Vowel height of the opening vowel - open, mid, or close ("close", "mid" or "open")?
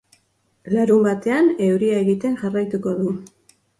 open